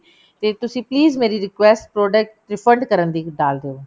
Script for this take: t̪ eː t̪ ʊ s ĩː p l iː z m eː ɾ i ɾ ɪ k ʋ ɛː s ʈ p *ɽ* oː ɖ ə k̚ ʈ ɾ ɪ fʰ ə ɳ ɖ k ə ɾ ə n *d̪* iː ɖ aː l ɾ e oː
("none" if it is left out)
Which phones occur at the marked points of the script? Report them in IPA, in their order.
ɾ, d̪

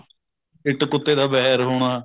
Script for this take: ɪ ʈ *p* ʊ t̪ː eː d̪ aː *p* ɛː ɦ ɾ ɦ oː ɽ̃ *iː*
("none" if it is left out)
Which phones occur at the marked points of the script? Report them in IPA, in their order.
k, b, aː

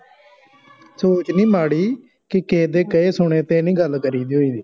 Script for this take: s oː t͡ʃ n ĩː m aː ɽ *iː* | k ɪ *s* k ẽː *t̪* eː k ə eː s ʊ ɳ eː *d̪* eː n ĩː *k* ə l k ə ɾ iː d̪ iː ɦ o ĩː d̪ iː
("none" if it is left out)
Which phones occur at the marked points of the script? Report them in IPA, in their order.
iː, none, d̪, t̪, ɡ

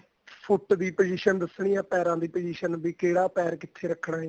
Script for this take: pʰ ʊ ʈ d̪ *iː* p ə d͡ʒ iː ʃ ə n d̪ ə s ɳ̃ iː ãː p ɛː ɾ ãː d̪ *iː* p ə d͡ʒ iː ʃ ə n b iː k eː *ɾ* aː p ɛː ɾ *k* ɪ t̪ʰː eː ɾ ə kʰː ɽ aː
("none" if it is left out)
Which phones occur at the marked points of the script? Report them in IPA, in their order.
iː, iː, ɽ, k

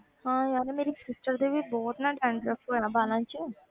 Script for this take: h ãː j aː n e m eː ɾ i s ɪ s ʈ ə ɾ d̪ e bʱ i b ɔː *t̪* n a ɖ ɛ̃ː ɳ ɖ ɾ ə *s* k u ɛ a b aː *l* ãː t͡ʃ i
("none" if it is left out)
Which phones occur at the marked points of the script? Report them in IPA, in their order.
t̪, none, l

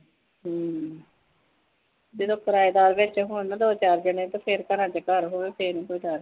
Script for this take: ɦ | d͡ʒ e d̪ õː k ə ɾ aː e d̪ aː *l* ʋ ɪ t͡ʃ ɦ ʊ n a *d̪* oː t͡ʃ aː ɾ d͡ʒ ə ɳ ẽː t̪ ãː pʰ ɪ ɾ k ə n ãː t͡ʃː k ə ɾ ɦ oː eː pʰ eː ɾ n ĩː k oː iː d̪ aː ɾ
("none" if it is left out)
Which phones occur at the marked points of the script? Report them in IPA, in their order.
ɾ, d̪

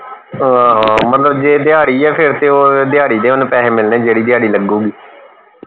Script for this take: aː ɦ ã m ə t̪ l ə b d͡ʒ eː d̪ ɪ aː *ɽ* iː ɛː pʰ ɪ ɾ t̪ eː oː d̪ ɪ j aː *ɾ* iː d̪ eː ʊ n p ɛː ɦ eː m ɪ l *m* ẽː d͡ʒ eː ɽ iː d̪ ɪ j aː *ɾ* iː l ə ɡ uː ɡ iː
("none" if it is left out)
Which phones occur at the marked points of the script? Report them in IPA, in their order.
ɽ, ɽ, n, ɽ

